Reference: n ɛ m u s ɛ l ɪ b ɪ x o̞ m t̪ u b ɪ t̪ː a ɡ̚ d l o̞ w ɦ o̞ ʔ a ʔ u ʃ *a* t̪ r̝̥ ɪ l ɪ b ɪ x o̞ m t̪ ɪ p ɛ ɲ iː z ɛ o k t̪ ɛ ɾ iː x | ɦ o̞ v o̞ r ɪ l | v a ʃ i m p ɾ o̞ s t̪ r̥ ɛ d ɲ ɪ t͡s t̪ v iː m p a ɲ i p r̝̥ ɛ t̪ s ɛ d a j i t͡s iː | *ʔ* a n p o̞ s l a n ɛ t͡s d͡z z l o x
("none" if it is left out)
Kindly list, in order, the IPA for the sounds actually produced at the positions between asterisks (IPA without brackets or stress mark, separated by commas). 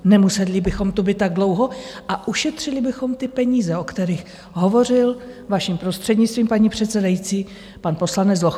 ɛ, p